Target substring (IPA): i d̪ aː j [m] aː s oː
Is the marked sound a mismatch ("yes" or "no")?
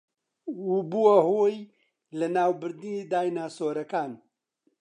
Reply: yes